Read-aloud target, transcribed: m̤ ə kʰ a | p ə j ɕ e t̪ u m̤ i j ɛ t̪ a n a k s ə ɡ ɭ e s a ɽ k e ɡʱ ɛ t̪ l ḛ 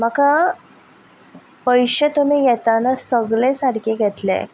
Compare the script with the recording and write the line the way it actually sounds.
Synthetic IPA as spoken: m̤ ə k a | p ə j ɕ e t̪ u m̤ i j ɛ t̪ a n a s ə ɡ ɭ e s a ɽ k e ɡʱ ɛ t̪ l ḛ